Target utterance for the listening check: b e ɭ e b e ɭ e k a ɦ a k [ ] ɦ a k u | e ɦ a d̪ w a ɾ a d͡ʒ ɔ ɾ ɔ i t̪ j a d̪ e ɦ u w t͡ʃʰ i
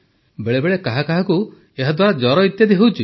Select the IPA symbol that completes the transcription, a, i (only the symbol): a